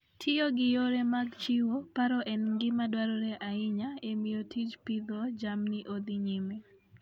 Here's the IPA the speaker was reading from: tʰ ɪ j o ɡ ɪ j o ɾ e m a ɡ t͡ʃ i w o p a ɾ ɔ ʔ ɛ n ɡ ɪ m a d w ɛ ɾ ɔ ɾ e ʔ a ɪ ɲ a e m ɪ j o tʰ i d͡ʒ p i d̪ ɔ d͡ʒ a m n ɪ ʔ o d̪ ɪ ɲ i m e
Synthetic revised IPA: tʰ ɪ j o ɡ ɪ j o ɾ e m a ɡ t͡ʃ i w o p a ɾ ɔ ʔ ɛ n ɡ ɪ m a d w a ɾ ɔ ɾ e ʔ a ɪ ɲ a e m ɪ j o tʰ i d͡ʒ p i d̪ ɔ d͡ʒ a m n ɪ ʔ o d̪ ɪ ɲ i m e